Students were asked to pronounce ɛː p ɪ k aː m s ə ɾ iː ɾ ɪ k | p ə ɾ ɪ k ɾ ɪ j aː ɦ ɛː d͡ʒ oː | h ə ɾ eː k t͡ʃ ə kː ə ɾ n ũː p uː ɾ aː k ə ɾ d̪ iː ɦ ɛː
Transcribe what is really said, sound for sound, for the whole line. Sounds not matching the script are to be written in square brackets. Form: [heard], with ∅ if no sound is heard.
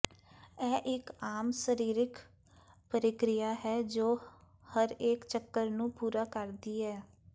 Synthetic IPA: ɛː [ʔ] ɪ k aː m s ə ɾ iː ɾ ɪ k | p ə ɾ ɪ k ɾ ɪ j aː ɦ ɛː d͡ʒ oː | h ə ɾ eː k t͡ʃ ə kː ə ɾ n ũː p uː ɾ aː k ə ɾ d̪ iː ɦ ɛː